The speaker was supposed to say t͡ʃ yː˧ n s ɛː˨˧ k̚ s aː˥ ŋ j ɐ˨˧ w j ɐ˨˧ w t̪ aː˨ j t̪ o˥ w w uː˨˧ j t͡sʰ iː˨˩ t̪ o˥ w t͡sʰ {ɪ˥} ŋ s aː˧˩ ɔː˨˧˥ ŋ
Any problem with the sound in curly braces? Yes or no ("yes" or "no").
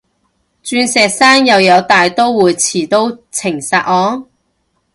yes